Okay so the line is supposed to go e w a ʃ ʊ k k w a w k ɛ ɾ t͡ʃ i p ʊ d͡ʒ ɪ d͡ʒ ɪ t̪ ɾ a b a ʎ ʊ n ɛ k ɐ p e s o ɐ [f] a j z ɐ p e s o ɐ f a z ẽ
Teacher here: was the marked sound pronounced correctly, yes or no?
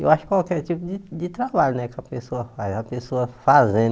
yes